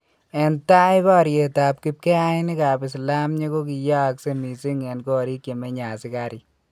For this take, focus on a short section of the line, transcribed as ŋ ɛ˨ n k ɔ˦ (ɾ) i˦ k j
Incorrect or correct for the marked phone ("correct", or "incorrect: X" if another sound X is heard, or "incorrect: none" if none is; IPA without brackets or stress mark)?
correct